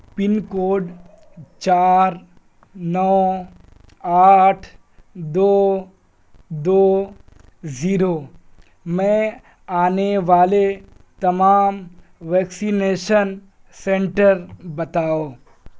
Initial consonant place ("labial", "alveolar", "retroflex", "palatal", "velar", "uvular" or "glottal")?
labial